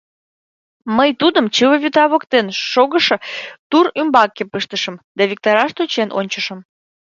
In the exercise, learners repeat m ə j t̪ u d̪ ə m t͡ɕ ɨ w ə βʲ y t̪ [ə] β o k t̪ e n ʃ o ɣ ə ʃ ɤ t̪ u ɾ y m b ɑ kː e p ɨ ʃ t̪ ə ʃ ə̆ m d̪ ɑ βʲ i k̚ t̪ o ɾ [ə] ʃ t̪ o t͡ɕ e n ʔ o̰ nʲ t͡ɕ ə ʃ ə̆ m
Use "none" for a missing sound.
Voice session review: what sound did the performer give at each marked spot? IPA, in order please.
ɑ, ɑ

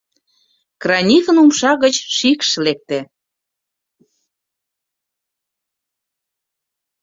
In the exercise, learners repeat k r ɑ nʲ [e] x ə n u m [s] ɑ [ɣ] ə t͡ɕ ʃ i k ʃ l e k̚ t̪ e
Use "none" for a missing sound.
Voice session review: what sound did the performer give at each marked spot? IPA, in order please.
i, ʃ, ɣ

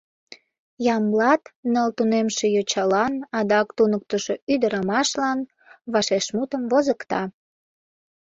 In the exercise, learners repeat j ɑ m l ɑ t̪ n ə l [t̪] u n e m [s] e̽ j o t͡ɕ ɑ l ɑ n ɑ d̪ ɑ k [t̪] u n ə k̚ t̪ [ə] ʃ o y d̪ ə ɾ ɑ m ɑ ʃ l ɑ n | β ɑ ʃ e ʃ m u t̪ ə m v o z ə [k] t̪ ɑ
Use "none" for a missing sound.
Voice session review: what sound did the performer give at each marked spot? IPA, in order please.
t̪, ʃ, t̪, ə, k

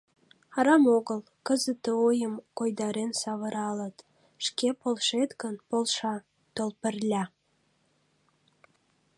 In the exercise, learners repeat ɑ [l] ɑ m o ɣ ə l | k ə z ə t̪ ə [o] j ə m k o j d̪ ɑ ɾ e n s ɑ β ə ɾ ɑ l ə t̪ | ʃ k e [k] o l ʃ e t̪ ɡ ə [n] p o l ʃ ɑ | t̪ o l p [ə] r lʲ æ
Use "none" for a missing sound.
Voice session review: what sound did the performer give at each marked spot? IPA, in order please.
ɾ, o, p, n, ə

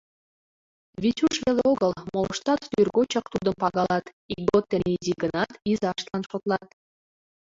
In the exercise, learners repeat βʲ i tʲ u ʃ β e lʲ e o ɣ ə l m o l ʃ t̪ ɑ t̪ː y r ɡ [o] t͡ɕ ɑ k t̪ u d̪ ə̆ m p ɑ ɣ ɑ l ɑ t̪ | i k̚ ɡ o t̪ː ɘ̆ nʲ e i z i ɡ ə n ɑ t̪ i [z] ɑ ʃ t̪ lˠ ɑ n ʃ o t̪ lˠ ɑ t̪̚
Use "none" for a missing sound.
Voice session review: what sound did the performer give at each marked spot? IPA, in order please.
o, z

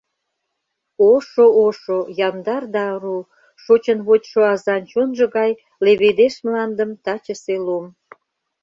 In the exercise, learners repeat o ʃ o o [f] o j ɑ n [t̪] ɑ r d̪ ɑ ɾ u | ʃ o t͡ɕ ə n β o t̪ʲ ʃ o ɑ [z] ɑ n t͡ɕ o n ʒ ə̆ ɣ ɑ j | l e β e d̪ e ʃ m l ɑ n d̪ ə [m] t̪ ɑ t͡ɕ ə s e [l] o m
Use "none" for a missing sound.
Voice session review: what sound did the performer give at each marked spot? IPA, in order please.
ʃ, d̪, z, m, l

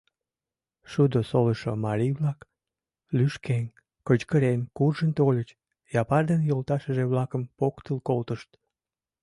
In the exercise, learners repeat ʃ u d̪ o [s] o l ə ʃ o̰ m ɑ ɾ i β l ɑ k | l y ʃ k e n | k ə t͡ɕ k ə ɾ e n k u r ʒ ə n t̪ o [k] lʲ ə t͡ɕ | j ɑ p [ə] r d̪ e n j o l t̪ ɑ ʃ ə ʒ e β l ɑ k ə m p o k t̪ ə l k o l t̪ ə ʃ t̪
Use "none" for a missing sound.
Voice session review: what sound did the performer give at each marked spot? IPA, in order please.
s, none, ɑ

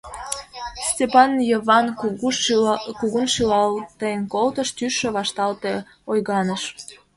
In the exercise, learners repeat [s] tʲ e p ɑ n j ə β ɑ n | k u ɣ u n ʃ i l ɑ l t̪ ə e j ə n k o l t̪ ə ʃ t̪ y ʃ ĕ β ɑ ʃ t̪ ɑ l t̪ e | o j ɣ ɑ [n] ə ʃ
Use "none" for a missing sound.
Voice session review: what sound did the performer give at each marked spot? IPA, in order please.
s, n

